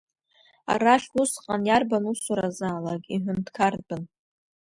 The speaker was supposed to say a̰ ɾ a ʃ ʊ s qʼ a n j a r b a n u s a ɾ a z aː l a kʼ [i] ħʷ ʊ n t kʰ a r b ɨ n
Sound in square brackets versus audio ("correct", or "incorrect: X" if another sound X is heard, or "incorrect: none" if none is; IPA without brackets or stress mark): correct